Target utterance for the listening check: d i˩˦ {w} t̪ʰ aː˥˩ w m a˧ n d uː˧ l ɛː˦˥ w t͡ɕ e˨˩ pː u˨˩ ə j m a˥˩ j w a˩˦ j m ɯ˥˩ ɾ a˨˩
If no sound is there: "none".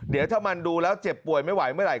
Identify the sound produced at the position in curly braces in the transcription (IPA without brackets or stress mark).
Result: w